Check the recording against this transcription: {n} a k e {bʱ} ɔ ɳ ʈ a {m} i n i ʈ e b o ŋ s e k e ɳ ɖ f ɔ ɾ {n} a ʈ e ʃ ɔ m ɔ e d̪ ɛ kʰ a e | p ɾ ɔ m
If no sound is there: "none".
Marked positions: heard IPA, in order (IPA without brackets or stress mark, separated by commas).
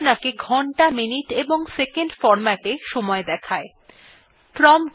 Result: n, ɡʱ, m, m